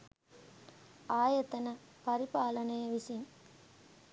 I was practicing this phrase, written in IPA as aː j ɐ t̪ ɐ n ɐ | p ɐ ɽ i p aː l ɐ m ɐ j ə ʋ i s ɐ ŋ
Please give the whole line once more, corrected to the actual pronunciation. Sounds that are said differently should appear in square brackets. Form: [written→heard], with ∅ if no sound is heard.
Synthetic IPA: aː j ɐ t̪ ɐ n ɐ | p ɐ [ɽ→ɾ] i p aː l ɐ [m→n] ɐ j [ə→ɐ] ʋ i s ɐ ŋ